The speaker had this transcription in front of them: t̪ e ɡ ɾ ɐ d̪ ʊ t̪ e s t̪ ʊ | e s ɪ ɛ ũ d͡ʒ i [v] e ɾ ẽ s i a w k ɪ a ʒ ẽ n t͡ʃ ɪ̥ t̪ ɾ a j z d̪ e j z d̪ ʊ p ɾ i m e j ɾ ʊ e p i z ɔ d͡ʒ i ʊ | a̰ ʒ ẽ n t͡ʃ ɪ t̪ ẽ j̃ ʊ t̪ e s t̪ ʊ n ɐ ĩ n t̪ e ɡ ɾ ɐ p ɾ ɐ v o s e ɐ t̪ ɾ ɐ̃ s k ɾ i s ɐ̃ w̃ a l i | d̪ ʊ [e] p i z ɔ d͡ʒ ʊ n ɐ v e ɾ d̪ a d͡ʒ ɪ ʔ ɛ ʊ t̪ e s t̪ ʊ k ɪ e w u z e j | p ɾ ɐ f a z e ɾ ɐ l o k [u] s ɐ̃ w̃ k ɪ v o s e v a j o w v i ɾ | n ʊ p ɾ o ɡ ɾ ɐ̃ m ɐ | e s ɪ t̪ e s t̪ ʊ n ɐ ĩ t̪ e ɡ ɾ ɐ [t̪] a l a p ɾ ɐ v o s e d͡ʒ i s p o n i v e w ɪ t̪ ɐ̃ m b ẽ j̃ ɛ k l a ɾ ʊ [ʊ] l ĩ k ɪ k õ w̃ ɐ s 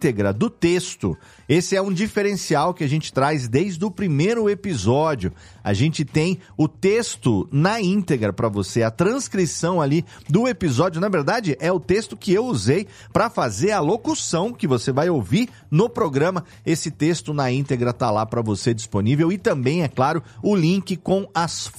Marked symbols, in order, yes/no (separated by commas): no, yes, yes, yes, yes